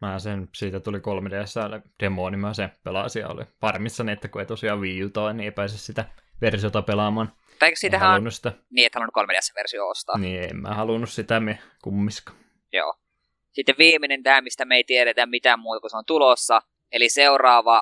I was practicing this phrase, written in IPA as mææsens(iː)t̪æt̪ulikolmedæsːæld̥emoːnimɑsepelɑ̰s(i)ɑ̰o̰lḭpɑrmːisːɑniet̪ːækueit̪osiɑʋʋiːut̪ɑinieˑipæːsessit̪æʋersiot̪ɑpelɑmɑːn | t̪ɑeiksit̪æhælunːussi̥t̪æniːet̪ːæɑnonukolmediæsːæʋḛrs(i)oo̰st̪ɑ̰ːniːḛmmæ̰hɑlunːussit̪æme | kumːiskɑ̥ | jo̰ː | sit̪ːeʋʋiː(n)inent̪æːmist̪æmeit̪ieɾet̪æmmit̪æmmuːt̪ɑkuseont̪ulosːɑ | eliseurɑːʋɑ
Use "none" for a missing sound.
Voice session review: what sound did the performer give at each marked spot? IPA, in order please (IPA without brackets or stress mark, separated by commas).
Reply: iː, i, i, m